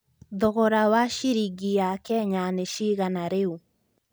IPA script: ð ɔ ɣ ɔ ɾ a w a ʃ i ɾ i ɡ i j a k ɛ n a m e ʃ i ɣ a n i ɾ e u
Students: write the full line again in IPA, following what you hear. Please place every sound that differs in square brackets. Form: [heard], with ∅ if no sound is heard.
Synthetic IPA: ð ɔ ɣ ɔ ɾ a w a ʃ i ɾ i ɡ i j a k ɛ [ɲ] a [n] e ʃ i ɣ a n [a] ɾ e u